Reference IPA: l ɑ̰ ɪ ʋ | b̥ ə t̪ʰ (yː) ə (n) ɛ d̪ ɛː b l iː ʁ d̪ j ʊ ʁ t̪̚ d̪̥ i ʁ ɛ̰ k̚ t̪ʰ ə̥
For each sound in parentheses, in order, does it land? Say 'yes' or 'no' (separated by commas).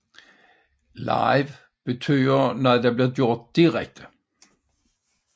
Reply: yes, yes